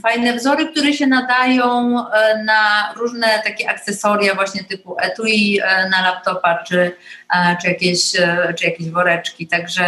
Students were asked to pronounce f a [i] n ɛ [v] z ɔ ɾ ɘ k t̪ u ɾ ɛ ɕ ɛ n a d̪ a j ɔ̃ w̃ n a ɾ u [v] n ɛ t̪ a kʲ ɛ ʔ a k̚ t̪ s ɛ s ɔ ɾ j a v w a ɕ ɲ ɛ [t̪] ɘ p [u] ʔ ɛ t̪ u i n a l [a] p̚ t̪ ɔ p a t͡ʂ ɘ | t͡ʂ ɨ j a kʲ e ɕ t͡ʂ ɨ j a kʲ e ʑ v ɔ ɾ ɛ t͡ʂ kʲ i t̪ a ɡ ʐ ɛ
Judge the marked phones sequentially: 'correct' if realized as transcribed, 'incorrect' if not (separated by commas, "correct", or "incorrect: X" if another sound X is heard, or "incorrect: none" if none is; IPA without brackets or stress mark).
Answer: incorrect: j, correct, incorrect: ʐ, correct, correct, correct